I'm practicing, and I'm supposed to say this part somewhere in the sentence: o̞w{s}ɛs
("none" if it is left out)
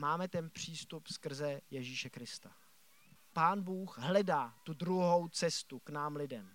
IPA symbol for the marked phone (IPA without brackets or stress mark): t͡s